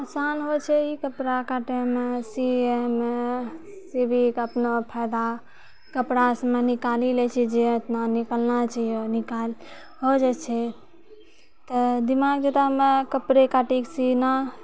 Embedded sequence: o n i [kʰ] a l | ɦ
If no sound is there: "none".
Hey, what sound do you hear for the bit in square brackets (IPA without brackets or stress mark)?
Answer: k